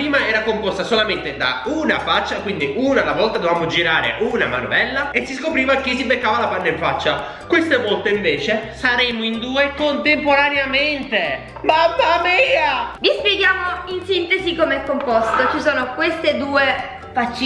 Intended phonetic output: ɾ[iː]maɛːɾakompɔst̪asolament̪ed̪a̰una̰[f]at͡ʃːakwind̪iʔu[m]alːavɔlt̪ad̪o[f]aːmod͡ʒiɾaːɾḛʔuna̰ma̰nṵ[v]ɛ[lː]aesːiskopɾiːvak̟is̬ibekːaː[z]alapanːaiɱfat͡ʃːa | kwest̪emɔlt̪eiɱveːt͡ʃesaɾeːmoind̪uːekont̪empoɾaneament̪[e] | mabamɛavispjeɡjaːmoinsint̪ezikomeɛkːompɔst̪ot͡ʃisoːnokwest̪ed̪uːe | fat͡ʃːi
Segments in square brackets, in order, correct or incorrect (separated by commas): correct, correct, incorrect, incorrect, correct, correct, incorrect, correct